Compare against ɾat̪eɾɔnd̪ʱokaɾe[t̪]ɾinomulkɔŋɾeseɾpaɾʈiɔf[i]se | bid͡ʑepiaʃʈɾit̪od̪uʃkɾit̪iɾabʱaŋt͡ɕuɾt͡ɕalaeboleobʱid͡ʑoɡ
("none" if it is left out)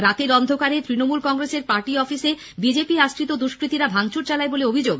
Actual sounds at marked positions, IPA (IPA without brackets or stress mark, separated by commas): t̪, i